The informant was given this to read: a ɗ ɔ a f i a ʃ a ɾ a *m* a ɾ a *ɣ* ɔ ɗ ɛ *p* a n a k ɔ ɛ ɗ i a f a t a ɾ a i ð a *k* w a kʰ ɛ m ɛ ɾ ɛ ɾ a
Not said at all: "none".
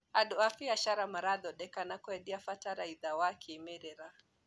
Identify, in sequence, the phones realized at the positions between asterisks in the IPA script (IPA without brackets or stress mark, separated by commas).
m, ð, k, none